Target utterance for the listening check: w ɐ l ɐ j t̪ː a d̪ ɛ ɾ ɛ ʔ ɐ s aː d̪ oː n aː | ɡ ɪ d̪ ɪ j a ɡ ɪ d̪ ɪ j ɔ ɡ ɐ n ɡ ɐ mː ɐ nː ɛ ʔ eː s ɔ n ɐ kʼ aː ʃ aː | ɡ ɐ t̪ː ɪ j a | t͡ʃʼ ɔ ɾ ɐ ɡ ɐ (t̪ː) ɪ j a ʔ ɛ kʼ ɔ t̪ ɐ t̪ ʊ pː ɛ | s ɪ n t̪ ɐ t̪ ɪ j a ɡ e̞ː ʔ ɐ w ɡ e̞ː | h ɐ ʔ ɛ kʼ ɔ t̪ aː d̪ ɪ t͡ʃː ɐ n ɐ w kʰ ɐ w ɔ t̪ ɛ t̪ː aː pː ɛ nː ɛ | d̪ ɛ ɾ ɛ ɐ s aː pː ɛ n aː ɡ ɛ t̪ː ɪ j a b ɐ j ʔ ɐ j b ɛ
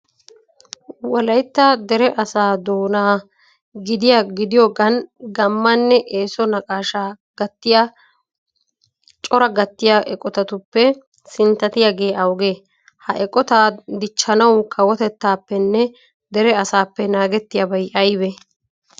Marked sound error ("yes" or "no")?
no